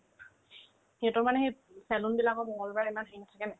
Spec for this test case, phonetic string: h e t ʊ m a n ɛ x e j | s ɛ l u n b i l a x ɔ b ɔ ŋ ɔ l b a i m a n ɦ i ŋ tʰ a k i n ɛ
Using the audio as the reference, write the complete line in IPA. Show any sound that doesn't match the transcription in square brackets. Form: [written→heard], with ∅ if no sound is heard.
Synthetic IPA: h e t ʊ m a n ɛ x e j | s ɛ l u n b i l a [x→k] ɔ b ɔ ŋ ɔ l b a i m a n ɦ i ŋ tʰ a k [i→ɛ] n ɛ